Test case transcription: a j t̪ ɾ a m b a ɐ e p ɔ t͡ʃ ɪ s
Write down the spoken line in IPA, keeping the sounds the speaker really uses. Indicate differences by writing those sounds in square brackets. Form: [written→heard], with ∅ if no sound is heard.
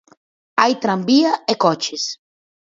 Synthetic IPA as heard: a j t̪ ɾ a m b [a→i] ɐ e [p→k] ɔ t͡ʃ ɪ s